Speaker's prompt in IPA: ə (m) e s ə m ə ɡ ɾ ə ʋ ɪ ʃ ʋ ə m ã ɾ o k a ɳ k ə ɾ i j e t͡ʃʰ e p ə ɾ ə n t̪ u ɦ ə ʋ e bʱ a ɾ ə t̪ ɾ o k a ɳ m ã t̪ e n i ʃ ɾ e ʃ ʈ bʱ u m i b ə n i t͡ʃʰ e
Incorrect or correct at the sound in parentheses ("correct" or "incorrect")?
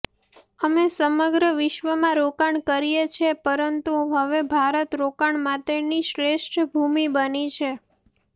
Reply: correct